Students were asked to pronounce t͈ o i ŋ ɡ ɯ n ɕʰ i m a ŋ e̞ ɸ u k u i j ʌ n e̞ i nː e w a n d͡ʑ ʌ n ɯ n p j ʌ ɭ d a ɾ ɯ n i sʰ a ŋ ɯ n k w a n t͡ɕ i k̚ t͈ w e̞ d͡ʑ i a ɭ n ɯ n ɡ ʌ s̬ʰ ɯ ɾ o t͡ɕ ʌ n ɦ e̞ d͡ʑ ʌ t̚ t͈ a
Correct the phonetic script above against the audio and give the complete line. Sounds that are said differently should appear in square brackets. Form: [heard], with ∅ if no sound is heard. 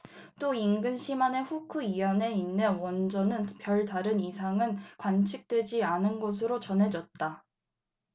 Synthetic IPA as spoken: t͈ o i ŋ ɡ ɯ n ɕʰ i m a [n] e̞ ɸ u [kʰ] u i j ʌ n e̞ i nː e w [ʌ] n d͡ʑ ʌ n ɯ n p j ʌ ɭ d a ɾ ɯ n i sʰ a ŋ ɯ n k w a n [t͡ɕʰ] i k̚ t͈ w e̞ d͡ʑ i a [∅] n ɯ n ɡ ʌ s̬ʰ ɯ ɾ o t͡ɕ ʌ n ɦ e̞ d͡ʑ ʌ t̚ t͈ a